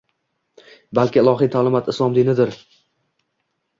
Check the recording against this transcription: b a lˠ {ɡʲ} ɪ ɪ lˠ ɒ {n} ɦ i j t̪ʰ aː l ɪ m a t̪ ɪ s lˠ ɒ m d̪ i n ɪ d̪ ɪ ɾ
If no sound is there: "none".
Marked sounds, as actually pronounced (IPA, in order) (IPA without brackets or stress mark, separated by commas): kʲ, none